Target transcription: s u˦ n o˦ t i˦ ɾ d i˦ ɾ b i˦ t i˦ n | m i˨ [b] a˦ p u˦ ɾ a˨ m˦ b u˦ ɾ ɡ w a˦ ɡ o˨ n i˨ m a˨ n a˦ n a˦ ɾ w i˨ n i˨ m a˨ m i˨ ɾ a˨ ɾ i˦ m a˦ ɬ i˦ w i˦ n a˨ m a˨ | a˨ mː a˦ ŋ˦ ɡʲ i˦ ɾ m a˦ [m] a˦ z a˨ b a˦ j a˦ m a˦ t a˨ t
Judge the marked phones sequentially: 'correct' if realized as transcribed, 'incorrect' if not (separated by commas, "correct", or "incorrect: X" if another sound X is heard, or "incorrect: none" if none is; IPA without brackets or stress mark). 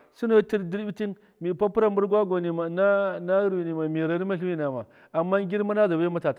incorrect: p, incorrect: n